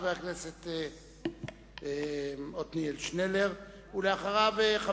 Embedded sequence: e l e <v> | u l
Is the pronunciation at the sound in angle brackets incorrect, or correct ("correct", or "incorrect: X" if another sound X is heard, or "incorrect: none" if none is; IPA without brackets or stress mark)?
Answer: incorrect: ʁ